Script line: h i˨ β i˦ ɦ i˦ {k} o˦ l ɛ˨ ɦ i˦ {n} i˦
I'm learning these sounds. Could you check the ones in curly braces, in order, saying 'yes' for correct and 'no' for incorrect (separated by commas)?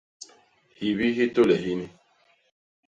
no, yes